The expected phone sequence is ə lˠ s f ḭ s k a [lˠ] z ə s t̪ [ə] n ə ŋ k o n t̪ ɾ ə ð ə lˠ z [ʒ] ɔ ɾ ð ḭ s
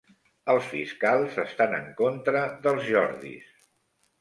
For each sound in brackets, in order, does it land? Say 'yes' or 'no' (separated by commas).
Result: yes, no, yes